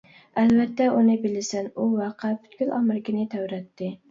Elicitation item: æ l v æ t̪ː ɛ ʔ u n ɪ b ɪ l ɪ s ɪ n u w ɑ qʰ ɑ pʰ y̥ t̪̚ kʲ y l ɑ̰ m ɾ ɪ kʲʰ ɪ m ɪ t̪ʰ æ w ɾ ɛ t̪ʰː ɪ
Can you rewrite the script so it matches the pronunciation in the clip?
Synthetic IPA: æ l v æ t̪ː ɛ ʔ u n ɪ b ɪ l ɪ s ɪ n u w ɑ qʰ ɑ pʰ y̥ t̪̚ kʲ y l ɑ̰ m ɾ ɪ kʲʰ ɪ n ɪ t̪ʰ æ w ɾ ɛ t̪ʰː ɪ